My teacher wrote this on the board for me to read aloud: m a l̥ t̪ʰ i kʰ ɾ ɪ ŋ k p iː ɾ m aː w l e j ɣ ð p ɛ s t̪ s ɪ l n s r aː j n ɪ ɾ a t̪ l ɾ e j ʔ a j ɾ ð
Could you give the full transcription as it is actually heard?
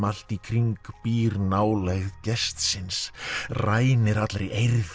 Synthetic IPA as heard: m a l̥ t̪ i kʰ ɾ i ŋ k p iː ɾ n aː w l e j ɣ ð c ɛ s t̪ s ɪ n s r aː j n ɪ ɾ a t̪ l ɾ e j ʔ e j ɾ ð